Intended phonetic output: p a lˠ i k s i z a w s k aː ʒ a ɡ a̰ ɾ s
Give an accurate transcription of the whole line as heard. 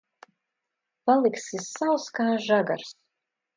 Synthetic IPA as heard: p a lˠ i k s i s a w s k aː ʒ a ɡ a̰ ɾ s